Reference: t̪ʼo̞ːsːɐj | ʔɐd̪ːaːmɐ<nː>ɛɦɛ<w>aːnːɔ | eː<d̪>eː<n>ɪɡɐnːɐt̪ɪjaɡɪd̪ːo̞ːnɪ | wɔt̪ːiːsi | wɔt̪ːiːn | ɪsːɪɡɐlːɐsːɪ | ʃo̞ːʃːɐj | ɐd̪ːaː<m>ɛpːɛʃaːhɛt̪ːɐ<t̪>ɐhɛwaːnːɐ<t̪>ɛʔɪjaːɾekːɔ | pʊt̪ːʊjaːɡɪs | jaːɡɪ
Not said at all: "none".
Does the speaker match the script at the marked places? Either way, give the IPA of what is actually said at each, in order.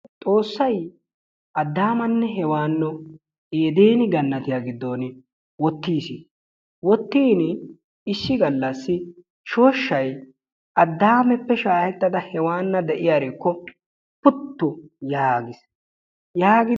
nː, w, d̪, n, m, d̪, d̪

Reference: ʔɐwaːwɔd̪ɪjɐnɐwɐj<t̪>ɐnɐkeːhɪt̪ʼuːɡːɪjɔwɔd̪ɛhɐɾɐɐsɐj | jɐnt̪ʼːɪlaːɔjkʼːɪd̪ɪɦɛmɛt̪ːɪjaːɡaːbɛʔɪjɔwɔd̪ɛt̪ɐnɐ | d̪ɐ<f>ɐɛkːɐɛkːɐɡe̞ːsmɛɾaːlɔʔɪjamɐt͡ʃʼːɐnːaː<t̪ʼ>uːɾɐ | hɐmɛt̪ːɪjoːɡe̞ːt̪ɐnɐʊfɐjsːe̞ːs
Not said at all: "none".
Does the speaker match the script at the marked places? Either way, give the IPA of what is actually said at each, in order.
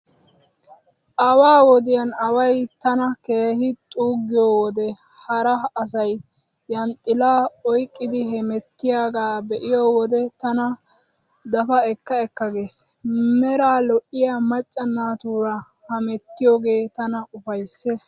t̪, f, t̪

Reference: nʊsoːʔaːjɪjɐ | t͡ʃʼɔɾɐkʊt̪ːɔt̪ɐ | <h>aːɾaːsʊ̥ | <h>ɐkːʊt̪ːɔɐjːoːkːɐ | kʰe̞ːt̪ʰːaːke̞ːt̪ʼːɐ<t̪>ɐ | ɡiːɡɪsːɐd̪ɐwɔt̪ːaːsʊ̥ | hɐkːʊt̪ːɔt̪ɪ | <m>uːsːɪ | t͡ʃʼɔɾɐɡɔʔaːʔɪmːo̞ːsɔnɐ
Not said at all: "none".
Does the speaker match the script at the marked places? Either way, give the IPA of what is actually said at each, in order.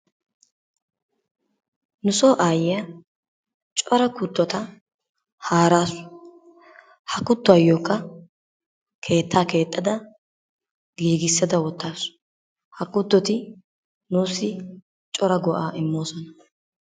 h, h, d̪, n

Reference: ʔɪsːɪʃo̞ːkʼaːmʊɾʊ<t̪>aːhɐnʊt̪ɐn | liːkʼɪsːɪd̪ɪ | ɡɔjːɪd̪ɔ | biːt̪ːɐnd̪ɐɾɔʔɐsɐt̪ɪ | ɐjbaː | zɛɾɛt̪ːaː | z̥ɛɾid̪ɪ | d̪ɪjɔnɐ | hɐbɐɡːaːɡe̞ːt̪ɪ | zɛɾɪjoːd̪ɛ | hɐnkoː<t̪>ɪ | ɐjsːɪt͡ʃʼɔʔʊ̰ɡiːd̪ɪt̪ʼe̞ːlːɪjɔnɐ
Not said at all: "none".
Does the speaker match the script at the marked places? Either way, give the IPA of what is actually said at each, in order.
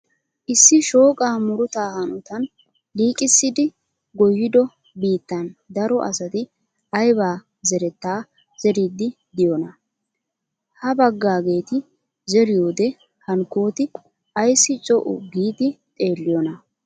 t̪, t̪

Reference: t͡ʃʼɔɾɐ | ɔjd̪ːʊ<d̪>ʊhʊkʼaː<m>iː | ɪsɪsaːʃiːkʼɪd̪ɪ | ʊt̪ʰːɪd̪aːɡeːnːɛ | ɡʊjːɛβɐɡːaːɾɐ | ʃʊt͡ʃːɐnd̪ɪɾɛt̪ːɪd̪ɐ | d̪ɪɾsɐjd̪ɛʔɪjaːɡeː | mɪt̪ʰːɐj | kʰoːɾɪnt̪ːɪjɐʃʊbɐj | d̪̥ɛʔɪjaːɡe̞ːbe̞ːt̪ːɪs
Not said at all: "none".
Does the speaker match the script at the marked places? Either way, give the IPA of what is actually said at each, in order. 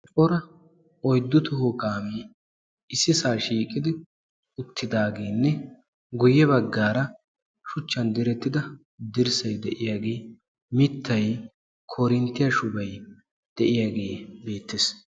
t̪, m

